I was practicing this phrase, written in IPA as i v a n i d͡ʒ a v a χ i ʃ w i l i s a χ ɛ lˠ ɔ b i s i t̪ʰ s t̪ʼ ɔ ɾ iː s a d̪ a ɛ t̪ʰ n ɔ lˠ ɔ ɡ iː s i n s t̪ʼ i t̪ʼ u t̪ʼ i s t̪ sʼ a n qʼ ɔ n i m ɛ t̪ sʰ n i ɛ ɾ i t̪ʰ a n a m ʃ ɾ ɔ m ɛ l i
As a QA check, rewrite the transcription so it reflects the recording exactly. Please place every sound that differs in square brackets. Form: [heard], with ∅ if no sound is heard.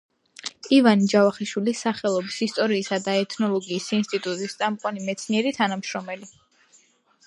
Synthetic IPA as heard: i v a n i d͡ʒ a v a χ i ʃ w i l i s a χ ɛ lˠ ɔ b i s i [∅] s t̪ʼ ɔ ɾ iː s a d̪ a ɛ t̪ʰ n ɔ lˠ ɔ ɡ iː s i n s t̪ʼ i t̪ʼ u t̪ʼ i s t̪ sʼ a [m] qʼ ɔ n i m ɛ t̪ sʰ n i ɛ ɾ i t̪ʰ a n a m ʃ ɾ ɔ m ɛ l i